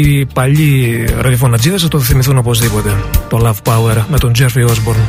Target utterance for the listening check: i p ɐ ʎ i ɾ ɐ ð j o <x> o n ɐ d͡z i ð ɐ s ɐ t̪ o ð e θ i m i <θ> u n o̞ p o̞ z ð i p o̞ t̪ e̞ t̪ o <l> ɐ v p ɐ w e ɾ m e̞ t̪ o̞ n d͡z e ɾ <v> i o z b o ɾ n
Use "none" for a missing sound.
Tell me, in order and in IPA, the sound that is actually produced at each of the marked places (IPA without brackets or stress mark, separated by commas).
f, θ, l, f